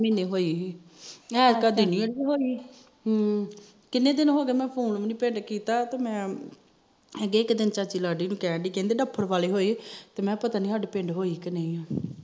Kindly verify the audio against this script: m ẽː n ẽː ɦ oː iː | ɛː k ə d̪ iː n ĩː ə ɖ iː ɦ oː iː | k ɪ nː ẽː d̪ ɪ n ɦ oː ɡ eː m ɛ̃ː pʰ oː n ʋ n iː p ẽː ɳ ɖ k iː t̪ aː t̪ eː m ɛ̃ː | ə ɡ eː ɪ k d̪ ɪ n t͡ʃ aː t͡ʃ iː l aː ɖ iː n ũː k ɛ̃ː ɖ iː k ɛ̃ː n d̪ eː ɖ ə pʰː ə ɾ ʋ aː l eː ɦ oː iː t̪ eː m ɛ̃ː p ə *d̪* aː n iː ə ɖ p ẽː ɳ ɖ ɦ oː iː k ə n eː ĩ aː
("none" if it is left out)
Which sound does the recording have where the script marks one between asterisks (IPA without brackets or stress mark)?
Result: t̪